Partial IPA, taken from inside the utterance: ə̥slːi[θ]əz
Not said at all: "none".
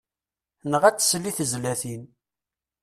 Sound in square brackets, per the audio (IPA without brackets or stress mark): θ